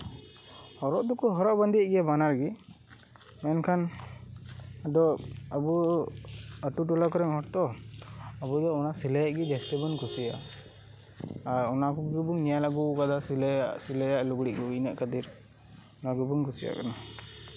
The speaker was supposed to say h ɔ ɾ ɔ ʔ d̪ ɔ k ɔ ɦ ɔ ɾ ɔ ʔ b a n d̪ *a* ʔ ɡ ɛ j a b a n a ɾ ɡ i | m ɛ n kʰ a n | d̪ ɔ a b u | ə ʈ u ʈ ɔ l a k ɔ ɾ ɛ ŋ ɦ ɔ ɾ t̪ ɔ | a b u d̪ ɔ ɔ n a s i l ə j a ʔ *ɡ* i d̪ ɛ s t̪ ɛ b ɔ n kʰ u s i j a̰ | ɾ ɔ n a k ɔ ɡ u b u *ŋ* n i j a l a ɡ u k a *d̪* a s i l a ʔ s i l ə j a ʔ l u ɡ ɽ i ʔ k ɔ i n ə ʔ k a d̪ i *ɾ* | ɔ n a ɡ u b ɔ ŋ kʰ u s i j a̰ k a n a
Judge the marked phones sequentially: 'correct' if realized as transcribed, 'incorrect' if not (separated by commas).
incorrect, correct, correct, correct, correct